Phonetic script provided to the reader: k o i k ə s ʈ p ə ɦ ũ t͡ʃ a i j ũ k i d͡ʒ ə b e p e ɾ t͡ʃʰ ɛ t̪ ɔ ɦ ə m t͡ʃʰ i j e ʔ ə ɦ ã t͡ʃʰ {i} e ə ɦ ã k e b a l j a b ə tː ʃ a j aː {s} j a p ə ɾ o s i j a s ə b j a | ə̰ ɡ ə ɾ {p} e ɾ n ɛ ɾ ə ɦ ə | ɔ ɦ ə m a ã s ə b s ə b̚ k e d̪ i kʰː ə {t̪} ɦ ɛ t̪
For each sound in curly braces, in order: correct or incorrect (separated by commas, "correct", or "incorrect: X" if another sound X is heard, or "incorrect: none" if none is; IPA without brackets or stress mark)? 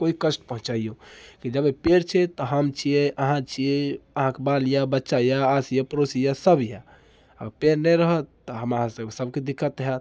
correct, correct, correct, correct